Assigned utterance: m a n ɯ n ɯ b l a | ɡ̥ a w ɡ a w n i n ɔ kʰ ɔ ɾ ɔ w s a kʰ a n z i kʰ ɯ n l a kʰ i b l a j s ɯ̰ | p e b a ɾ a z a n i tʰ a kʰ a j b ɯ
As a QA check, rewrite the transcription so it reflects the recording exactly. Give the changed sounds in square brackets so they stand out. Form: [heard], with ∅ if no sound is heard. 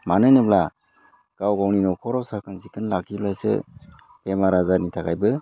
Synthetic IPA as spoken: m a n ɯ n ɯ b l a | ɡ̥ a w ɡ a w n i n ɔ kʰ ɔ ɾ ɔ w s a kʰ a n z i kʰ ɯ n l a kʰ i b l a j s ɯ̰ | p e [m] a ɾ a z a n i tʰ a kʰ a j b ɯ